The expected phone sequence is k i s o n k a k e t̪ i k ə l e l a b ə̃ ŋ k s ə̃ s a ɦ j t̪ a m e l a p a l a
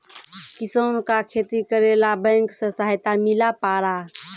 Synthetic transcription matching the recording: k i s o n k a kʰ e t̪ i k ə ɾ e l a b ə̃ ŋ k s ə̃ s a ɦ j t̪ a m i l a p a ɾ a